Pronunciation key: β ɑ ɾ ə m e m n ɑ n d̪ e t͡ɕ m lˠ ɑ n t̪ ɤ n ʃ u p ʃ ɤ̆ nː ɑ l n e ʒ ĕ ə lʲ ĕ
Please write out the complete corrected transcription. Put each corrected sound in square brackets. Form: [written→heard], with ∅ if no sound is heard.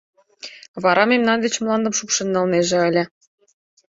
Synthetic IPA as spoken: β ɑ ɾ [ə→ɑ] m e m n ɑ n d̪ e t͡ɕ m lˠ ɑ n [t̪→d̪] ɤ [n→m] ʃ u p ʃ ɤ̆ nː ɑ l n e ʒ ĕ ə lʲ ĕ